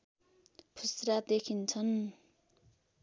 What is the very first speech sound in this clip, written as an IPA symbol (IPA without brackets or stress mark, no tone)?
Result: pʰ